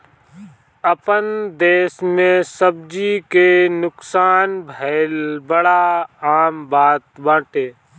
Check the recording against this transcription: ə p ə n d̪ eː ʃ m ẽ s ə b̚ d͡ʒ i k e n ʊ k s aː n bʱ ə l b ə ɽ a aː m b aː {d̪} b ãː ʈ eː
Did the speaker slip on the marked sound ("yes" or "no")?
yes